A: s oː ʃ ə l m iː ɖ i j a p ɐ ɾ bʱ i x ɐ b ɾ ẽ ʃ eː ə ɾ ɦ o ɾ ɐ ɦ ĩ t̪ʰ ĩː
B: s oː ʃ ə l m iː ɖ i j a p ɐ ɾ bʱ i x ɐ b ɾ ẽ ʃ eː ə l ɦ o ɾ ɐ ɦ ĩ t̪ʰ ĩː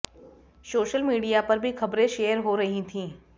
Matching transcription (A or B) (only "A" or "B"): A